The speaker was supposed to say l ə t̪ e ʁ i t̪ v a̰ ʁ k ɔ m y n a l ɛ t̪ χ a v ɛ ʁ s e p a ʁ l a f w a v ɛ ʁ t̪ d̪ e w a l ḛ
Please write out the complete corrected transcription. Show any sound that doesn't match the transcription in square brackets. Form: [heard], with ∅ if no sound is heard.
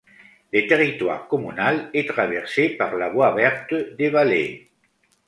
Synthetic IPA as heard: l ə t̪ e ʁ i t̪ [w] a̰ ʁ k ɔ m y n a l ɛ t̪ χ a v ɛ ʁ s e p a ʁ l a [v] w a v ɛ ʁ t̪ d̪ e [v] a l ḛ